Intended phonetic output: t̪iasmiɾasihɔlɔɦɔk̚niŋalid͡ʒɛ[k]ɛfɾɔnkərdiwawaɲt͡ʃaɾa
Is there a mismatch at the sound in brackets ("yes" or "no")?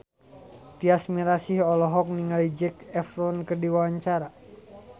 no